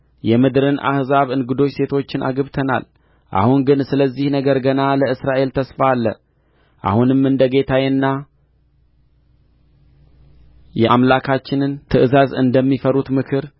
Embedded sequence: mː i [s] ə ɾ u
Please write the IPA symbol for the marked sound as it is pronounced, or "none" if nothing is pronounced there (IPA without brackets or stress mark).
f